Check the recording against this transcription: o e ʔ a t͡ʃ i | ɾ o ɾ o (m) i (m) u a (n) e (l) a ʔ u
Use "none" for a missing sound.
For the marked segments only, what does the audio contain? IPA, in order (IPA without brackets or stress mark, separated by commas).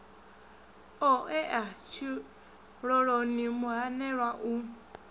n, m, n, ɾ